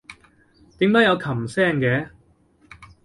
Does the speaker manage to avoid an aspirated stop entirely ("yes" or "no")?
no